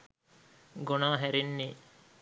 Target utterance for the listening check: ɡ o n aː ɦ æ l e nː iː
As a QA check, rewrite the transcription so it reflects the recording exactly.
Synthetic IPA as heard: ɡ o n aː ɦ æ ɾ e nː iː